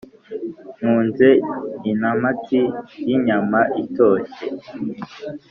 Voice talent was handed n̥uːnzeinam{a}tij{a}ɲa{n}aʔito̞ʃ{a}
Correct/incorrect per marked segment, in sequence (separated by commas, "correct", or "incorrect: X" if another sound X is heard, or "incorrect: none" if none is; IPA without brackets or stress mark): correct, incorrect: i, incorrect: m, incorrect: e